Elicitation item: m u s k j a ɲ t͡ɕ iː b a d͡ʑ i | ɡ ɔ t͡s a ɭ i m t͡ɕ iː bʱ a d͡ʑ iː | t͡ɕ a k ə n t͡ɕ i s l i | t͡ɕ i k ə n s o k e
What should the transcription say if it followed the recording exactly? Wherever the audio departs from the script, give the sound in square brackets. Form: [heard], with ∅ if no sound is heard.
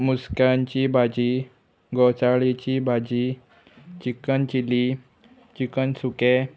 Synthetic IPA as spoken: m u s k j a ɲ t͡ɕ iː b a d͡ʑ i | ɡ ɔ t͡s a ɭ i [∅] t͡ɕ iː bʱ a d͡ʑ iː | t͡ɕ [i] k ə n t͡ɕ i [∅] l i | t͡ɕ i k ə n s [u] k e